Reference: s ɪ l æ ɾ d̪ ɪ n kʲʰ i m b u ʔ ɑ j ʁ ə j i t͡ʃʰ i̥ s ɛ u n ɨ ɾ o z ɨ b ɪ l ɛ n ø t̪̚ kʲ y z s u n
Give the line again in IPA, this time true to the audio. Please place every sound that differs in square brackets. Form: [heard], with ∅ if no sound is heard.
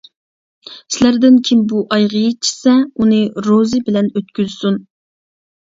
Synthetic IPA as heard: s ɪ l æ ɾ d̪ ɪ n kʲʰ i m b u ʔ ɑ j ʁ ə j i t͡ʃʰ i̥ s ɛ u n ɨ ɾ o z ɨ b ɪ l ɛ n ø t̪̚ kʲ y z s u n

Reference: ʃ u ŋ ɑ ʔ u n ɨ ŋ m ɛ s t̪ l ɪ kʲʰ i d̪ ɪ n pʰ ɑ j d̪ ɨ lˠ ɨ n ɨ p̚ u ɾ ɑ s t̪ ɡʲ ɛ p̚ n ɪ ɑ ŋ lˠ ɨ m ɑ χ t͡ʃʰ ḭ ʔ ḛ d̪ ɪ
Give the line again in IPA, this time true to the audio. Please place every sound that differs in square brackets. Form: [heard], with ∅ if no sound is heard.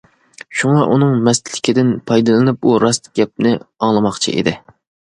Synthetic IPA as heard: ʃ u ŋ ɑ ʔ u n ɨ ŋ m ɛ s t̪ l ɪ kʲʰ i d̪ ɪ n pʰ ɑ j d̪ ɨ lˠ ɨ n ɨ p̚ u ɾ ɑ s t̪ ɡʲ ɛ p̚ n ɪ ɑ ŋ lˠ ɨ m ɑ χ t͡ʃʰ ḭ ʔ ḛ d̪ ɪ

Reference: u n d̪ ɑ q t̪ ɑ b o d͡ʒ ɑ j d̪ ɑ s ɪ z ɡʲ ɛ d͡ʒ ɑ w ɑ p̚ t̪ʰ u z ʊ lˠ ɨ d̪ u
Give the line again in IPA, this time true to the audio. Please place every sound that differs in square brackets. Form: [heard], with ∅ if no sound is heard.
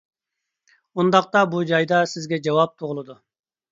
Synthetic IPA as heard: u n d̪ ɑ q t̪ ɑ b [u] d͡ʒ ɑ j d̪ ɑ s ɪ z ɡʲ ɛ d͡ʒ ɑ w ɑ p̚ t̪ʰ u [ʁ] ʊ lˠ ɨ d̪ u

